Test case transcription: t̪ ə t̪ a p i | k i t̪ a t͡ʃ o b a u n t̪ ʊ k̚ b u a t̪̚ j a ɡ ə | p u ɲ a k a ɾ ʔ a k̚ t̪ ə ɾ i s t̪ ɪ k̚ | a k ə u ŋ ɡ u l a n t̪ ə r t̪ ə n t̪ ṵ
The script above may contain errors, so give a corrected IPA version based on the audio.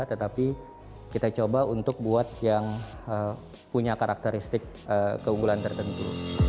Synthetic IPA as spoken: t̪ ə t̪ a p i | k i t̪ a t͡ʃ o b a u n t̪ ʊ k̚ b u a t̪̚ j a ŋ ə | p u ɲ a k a ɾ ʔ a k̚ t̪ ə ɾ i s t̪ ɪ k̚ | ə k ə u ŋ ɡ u l a n t̪ ə r t̪ ə n t̪ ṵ